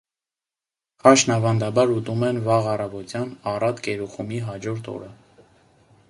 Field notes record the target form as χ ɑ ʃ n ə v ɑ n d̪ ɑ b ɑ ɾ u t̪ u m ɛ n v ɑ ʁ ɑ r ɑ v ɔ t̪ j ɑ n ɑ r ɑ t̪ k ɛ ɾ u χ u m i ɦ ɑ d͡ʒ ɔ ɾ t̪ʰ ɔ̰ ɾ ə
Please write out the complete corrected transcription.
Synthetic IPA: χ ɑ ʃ n ɑ v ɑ n d̪ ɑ b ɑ ɾ u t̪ u m ɛ n v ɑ ʁ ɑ r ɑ v ɔ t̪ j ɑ n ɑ r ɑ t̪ k ɛ ɾ u χ u m i ɦ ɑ d͡ʒ ɔ ɾ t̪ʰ ɔ̰ ɾ ə